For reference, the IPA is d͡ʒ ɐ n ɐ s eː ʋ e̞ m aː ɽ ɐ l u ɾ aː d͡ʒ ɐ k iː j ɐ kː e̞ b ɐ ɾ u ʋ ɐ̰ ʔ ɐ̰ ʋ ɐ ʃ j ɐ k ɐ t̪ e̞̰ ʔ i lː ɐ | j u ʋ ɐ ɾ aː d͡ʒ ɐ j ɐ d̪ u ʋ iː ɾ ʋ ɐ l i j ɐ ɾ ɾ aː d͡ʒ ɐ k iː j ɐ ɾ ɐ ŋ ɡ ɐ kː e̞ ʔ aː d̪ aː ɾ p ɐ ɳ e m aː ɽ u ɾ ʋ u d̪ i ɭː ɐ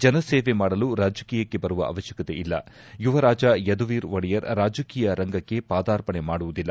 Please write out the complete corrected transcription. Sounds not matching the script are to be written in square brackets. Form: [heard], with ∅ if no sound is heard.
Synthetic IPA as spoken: d͡ʒ ɐ n ɐ s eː ʋ e̞ m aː ɽ ɐ l u ɾ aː d͡ʒ ɐ k iː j ɐ kː e̞ b ɐ ɾ u ʋ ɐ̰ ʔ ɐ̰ ʋ ɐ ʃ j ɐ k ɐ t̪ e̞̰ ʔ i lː ɐ | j u ʋ ɐ ɾ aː d͡ʒ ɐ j ɐ d̪ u ʋ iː ɾ ʋ ɐ [ɽ] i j ɐ ɾ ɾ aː d͡ʒ ɐ k iː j ɐ ɾ ɐ ŋ ɡ ɐ kː e̞ [p] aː d̪ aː ɾ p ɐ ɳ e m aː ɽ u [∅] ʋ u d̪ i [lː] ɐ